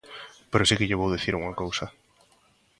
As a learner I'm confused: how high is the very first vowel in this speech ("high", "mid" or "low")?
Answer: mid